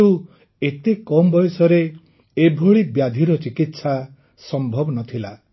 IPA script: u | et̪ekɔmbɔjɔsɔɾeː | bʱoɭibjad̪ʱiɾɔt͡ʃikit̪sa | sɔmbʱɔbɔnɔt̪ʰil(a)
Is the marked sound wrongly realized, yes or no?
no